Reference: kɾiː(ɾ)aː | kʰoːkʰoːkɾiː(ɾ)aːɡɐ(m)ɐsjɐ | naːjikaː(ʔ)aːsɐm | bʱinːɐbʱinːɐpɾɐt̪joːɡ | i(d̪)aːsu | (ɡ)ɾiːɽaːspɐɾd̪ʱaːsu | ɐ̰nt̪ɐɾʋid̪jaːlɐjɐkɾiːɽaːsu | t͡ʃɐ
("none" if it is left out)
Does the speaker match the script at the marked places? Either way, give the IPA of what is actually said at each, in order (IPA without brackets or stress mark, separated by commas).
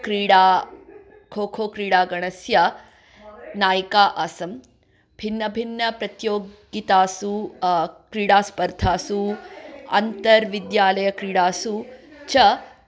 ɽ, ɽ, ɳ, ʔ, t̪, k